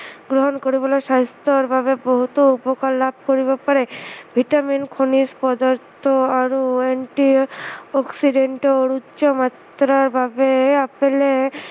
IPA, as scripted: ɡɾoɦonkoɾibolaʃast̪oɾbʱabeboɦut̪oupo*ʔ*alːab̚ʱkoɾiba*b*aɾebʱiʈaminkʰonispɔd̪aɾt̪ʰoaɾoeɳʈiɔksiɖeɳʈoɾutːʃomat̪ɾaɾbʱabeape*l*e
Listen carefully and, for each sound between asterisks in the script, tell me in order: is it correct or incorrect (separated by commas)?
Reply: incorrect, incorrect, correct